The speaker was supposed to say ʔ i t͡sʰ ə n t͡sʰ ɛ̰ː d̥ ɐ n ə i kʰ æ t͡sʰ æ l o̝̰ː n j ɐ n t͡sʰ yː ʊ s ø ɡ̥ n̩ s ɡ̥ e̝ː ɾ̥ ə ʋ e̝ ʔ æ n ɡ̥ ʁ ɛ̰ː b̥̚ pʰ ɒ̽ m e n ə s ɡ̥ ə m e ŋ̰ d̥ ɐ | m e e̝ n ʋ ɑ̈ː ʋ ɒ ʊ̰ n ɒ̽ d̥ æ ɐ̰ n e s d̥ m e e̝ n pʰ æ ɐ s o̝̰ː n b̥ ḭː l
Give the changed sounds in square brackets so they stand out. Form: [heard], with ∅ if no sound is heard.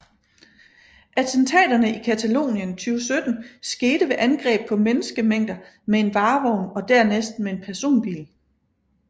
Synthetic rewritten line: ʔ [æ] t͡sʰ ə n t͡sʰ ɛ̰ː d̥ ɐ n ə i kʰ æ t͡sʰ æ l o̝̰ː n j [ə] n t͡sʰ yː ʊ s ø [d̥] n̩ s ɡ̥ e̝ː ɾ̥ ə ʋ e̝ ʔ æ n ɡ̥ ʁ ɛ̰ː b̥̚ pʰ ɒ̽ m e n ə s ɡ̥ ə m e ŋ̰ d̥ ɐ | m e e̝ n ʋ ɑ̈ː ʋ ɒ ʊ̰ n ɒ̽ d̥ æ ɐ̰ n e s d̥ m e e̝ n pʰ æ ɐ s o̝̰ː n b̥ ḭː l